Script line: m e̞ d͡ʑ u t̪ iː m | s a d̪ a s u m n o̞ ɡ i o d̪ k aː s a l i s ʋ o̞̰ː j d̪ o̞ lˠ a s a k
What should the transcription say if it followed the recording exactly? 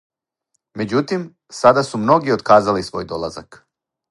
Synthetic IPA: m e̞ d͡ʑ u t̪ i m | s a d̪ a s u m n o̞ ɡ i o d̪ k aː z a l i s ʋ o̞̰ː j d̪ o̞ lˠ a z a k